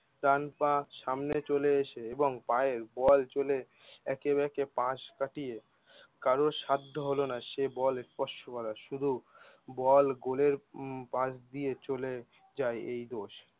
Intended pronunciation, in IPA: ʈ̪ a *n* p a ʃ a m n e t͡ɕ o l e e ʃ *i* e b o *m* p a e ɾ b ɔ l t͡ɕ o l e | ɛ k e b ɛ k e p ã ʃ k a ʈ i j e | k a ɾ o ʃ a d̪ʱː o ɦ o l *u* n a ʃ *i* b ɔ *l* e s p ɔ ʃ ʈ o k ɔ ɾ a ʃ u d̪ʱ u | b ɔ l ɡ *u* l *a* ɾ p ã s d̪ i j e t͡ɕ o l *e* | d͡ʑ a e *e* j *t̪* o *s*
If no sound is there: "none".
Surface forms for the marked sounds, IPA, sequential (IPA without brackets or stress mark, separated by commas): n, e, ŋ, o, e, l, o, e, e, e, d̪, ʃ